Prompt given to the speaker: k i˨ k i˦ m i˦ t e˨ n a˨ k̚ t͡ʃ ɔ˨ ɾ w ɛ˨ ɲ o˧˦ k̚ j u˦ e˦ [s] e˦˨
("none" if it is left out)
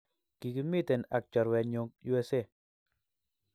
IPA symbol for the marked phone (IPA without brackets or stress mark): s